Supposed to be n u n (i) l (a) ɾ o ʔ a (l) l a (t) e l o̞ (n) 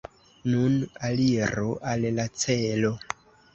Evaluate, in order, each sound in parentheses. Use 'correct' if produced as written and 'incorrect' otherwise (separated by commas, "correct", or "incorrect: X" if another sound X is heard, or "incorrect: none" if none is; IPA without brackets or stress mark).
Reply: incorrect: a, incorrect: i, correct, incorrect: t͡s, incorrect: none